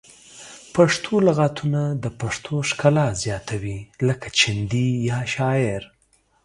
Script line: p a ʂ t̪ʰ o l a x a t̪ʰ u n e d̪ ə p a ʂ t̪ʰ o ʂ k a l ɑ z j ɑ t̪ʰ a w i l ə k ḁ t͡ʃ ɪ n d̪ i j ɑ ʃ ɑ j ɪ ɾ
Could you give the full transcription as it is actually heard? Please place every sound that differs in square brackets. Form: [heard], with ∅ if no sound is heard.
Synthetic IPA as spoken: p a ʂ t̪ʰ o l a [ɣ] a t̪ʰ u n [a] d̪ ə p a ʂ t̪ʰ o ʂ k a l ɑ z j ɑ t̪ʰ a w i l ə k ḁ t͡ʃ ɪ n d̪ i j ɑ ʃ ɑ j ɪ ɾ